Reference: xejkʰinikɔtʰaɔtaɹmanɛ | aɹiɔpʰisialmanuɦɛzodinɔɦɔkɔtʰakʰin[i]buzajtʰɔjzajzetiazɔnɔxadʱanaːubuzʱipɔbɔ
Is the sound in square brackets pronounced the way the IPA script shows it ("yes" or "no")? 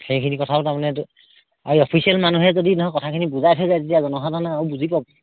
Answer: yes